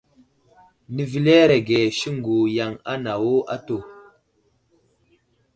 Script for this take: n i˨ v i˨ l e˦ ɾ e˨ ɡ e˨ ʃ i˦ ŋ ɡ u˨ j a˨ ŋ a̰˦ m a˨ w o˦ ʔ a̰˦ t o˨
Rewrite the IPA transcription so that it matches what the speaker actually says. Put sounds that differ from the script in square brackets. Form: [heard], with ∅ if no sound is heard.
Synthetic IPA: n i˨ v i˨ l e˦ ɾ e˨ ɡ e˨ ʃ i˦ ŋ ɡ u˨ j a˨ ŋ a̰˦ [n] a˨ w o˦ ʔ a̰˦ t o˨

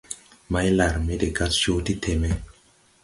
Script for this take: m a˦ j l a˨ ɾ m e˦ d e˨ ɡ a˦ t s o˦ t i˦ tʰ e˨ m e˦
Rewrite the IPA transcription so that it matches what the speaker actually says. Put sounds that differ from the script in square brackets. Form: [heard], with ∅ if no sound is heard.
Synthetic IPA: m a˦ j l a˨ ɾ m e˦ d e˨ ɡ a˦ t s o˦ t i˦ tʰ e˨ m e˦

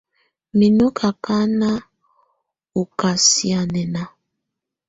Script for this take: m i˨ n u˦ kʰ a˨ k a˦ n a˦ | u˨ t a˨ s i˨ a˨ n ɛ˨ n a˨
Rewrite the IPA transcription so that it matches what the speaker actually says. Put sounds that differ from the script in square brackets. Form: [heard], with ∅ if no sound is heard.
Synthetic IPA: m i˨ n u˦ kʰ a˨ k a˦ n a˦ | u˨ [k] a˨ s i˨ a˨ n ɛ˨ n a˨

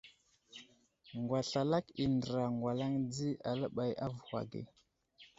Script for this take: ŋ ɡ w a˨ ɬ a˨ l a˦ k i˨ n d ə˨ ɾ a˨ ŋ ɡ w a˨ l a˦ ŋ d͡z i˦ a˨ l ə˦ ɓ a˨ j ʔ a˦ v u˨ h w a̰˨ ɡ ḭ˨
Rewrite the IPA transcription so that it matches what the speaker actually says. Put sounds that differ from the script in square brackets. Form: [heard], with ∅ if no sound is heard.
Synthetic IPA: ŋ ɡ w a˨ ɬ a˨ l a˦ k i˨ n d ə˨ ɾ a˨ ŋ ɡ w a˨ l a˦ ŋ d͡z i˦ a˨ l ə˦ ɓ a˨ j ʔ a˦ v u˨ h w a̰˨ ɡ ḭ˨

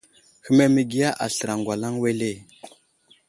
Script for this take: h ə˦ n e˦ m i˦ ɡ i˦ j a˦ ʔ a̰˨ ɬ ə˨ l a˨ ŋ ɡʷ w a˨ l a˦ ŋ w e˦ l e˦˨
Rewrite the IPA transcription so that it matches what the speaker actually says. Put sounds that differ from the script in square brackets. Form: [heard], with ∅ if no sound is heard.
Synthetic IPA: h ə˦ [m] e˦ m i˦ ɡ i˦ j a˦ ʔ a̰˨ ɬ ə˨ [ɾ] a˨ ŋ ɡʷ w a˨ l a˦ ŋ w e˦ l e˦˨

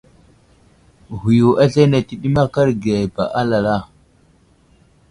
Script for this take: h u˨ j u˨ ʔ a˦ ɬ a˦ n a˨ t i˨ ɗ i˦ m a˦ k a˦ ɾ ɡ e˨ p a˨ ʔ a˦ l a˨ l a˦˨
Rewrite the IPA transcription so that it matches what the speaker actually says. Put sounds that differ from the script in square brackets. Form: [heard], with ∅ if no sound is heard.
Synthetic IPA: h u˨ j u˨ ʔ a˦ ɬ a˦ n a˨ t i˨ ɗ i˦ m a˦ k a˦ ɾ ɡ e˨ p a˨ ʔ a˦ l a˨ l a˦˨

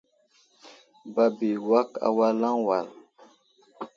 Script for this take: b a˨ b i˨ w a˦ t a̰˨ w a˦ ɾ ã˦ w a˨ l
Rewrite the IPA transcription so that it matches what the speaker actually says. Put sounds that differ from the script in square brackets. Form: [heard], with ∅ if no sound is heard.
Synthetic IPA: b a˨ b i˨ w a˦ [k] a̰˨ w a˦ [l] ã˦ w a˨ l

